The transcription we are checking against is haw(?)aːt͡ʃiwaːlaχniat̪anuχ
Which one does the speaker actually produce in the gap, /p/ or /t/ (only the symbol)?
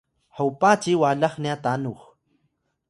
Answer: p